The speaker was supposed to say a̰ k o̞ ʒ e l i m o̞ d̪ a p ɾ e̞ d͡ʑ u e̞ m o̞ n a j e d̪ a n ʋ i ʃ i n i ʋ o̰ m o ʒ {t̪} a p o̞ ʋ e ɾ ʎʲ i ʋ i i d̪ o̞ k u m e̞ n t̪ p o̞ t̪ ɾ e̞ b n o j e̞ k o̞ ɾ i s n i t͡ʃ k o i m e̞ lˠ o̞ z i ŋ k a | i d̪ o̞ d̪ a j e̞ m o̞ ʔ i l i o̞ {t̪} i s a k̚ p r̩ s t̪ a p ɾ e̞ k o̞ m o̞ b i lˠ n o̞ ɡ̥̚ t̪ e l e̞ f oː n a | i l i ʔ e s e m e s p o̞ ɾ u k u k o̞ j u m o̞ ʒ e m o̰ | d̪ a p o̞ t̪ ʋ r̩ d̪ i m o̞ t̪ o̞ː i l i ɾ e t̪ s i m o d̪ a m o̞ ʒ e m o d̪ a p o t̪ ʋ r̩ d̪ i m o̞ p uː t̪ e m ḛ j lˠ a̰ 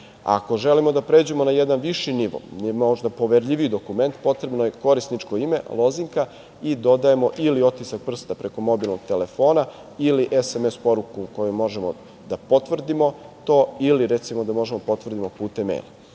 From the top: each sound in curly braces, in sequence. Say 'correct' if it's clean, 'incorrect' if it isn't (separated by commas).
incorrect, correct